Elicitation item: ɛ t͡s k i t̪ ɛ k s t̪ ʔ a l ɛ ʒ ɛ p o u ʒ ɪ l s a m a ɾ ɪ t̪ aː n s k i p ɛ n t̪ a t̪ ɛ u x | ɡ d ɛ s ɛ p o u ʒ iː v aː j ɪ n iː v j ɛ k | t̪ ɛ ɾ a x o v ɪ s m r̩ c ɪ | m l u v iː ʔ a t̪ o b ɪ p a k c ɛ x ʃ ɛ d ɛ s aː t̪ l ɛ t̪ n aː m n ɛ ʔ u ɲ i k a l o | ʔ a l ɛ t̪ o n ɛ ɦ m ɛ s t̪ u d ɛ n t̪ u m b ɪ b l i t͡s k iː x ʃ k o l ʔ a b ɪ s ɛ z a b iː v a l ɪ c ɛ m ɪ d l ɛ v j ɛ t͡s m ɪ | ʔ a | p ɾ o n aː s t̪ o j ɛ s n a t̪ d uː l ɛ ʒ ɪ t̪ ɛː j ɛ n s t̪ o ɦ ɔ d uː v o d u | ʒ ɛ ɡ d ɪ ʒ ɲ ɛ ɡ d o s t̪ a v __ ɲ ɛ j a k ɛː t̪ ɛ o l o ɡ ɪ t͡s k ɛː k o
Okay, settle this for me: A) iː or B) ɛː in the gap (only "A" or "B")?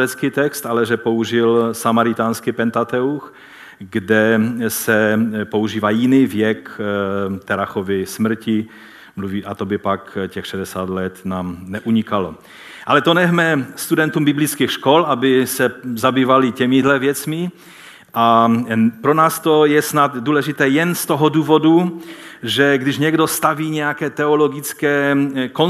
A